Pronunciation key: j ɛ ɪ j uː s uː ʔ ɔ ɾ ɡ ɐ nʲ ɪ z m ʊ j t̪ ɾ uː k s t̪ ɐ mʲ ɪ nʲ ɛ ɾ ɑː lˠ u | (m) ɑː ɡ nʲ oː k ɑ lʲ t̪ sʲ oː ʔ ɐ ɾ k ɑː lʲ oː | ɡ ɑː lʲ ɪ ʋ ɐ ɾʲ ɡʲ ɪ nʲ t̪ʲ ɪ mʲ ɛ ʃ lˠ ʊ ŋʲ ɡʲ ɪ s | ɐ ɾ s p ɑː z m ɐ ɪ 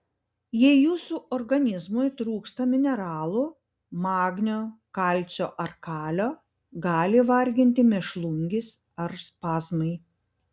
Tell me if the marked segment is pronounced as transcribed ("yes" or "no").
yes